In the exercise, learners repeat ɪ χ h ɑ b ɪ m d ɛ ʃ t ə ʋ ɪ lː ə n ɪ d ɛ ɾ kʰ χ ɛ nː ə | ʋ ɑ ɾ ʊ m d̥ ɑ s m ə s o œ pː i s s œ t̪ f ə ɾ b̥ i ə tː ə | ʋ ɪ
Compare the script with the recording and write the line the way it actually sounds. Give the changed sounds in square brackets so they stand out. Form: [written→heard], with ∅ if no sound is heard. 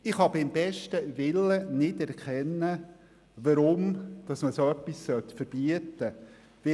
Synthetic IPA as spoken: ɪ χ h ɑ b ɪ m [d→b] ɛ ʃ t ə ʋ ɪ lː ə n ɪ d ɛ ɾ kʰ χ ɛ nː ə | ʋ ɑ ɾ ʊ m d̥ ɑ s m ə s o œ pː i s s œ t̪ f ə ɾ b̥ i ə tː ə | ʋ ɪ

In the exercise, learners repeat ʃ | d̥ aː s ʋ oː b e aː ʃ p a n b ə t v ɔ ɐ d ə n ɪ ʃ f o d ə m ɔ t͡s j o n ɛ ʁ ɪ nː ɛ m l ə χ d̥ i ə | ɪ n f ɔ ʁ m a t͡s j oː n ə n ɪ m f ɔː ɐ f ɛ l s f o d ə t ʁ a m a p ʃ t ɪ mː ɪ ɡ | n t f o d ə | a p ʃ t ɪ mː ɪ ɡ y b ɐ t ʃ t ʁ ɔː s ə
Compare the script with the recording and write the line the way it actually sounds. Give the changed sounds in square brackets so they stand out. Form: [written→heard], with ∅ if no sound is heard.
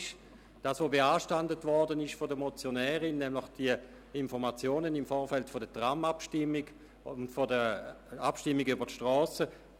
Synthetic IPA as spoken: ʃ | d̥ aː s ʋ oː b e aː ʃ [p→t] a n [b→d] ə t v ɔ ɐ d ə n ɪ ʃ f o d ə m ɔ t͡s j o n [ɛ→ɛː] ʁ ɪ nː ɛ m l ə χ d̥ i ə | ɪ n f ɔ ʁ m a t͡s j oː n ə n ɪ m f ɔː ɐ f ɛ l [s→t] f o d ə t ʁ a m a p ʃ t ɪ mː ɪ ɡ | n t f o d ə | a p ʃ t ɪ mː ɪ ɡ y b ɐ t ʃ t ʁ ɔː s ə

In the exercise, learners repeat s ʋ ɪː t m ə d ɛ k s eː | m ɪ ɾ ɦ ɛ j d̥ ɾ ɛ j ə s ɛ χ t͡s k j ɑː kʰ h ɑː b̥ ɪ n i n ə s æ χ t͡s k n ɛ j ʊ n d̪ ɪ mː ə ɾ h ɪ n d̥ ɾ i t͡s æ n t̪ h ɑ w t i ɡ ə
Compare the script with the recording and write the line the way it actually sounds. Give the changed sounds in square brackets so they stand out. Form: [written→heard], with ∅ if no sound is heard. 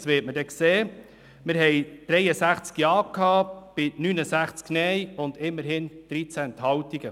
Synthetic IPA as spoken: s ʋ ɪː t m ə d ɛ k s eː | m ɪ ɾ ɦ ɛ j d̥ ɾ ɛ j ə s [ɛ→æ] χ t͡s k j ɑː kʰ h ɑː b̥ ɪ n [i→y] n ə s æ χ t͡s k n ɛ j ʊ n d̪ ɪ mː ə ɾ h ɪ n d̥ ɾ i t͡s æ n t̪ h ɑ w t i ɡ ə

